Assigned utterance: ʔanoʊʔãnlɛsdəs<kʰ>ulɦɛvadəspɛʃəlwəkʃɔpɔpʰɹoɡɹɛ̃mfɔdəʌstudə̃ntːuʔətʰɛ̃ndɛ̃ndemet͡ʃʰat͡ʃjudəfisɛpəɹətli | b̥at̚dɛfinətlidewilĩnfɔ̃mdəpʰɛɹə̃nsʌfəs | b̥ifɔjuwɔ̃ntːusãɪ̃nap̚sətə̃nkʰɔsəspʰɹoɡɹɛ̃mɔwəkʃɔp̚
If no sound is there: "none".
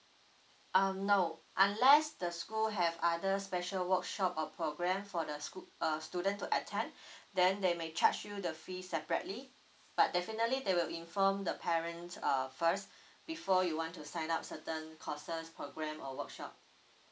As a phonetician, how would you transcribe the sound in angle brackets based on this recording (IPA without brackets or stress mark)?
k